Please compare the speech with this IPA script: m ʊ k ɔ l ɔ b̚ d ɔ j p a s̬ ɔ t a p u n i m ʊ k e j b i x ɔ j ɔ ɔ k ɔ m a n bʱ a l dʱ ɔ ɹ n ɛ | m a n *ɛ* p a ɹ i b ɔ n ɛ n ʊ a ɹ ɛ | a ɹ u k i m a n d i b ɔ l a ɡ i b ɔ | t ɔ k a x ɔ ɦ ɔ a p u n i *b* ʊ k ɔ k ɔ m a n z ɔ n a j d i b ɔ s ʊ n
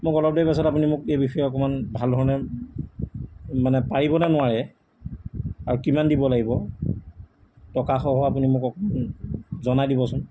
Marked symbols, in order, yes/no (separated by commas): yes, no